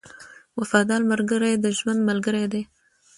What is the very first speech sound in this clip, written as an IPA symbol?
w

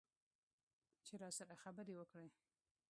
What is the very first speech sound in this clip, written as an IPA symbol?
t͡ʃ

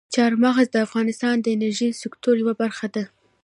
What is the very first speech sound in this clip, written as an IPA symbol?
t͡ʃ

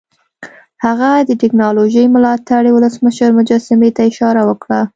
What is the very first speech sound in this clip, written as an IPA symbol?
h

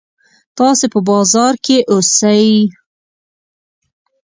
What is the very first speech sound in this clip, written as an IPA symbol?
t̪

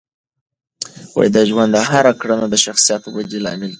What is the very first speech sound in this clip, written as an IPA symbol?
w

